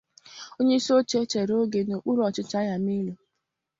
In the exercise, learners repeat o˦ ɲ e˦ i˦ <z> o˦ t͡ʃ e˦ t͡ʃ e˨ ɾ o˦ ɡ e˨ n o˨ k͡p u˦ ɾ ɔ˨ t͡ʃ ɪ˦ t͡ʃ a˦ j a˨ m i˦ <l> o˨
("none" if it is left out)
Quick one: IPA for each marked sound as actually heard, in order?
s, l

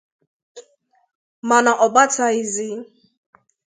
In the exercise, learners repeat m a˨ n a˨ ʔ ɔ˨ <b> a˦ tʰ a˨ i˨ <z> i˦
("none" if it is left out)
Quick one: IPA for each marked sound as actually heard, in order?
b, z

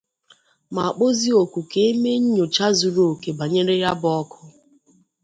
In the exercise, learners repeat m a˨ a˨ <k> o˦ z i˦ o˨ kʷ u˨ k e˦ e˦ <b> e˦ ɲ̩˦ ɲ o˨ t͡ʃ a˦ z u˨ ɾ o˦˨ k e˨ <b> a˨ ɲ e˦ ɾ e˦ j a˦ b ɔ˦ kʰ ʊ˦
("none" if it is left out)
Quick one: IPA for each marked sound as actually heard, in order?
k͡p, m, b

